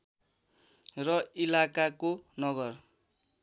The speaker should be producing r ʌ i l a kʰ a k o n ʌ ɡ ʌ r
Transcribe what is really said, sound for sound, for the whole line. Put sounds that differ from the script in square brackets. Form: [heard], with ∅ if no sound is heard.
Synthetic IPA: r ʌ i l a [k] a k o n ʌ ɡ ʌ r